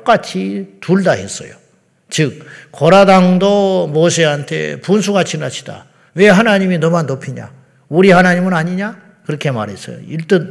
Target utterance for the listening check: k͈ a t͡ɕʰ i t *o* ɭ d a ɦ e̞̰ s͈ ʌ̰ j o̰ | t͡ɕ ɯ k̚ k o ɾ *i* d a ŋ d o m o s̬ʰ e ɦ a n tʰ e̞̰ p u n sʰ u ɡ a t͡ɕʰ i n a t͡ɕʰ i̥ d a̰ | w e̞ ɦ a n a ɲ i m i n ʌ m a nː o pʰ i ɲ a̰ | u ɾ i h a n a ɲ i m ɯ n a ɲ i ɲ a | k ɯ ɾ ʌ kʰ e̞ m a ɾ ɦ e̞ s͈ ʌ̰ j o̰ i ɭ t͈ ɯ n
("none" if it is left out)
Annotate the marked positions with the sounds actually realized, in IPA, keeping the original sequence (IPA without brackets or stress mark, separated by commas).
u, a